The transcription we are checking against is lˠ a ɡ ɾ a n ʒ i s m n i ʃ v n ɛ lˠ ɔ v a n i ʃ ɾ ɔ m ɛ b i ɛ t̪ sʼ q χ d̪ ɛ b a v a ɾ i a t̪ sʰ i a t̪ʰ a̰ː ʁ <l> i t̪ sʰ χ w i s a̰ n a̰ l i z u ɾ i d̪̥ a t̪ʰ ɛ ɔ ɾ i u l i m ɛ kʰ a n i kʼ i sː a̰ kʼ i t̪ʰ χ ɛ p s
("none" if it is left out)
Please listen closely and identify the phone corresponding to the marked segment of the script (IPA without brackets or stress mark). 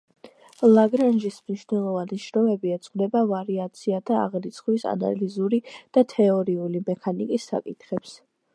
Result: ɾ